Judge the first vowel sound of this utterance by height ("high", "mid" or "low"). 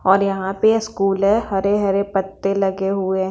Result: mid